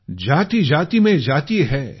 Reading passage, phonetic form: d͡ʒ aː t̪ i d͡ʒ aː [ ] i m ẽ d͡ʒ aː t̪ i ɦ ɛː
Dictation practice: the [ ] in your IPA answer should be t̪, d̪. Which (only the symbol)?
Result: t̪